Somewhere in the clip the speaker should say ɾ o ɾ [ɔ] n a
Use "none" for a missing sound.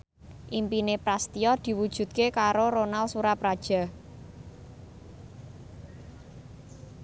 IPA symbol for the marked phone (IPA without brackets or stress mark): o